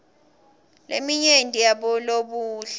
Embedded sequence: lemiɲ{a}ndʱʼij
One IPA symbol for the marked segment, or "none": e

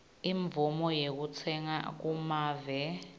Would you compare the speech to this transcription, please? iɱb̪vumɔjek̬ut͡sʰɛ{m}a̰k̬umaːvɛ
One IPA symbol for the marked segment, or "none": ŋ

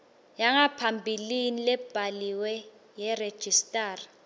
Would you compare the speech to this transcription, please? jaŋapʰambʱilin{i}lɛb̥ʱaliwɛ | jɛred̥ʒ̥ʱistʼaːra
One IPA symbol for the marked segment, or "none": i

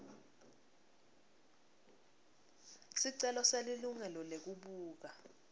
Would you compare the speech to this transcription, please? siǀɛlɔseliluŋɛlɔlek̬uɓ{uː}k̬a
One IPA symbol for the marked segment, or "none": uː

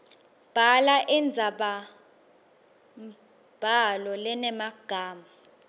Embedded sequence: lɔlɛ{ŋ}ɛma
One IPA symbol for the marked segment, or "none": n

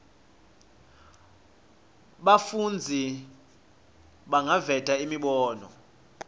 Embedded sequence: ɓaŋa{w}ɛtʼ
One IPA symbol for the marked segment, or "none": v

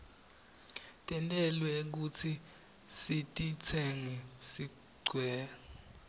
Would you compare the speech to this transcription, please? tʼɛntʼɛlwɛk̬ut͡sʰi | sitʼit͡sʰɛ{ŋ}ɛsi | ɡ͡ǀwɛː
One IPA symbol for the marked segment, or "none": ŋ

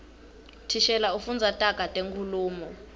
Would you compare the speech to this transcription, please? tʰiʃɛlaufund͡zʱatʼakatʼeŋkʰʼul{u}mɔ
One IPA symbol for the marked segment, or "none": uː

